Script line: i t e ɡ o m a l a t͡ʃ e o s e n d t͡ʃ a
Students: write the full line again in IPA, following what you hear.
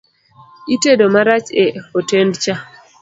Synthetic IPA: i t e d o m a ɾ a t͡ʃ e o t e n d t͡ʃ a

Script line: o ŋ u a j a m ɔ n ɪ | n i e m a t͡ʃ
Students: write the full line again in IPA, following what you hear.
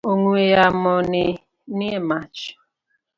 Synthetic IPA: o ŋ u e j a m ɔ n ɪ | n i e m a t͡ʃ

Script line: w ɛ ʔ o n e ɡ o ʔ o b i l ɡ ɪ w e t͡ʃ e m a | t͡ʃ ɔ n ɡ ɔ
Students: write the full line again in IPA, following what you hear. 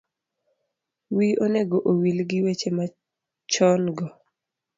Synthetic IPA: w i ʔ o n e ɡ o ʔ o w i l ɡ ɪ w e t͡ʃ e m a | t͡ʃ ɔ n ɡ ɔ

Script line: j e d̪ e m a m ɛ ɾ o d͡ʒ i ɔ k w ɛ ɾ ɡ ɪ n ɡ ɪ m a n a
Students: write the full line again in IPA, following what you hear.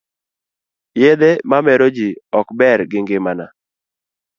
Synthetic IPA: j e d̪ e m a m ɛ ɾ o d͡ʒ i ɔ k b ɛ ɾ ɡ ɪ ŋ ɡ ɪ m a n a

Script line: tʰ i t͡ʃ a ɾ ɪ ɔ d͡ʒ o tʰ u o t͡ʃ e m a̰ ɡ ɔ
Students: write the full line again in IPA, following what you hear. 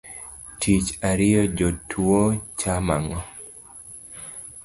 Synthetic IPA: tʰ i t͡ʃ a ɾ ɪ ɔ d͡ʒ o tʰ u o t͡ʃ a m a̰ ŋ ɔ

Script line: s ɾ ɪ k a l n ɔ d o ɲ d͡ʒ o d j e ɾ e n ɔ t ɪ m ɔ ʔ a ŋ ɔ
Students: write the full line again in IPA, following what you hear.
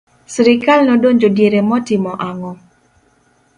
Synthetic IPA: s ɾ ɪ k a l n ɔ d o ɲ d͡ʒ o d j e ɾ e m ɔ t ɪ m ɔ ʔ a ŋ ɔ

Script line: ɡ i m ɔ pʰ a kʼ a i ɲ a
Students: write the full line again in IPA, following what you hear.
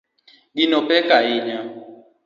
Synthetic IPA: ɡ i n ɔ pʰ ɛ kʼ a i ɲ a

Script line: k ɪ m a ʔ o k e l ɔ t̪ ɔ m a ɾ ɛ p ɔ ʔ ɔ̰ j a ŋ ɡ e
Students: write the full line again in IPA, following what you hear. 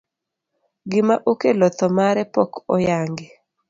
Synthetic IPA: ɡ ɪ m a ʔ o k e l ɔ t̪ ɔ m a ɾ ɛ p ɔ k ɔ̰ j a ŋ ɡ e

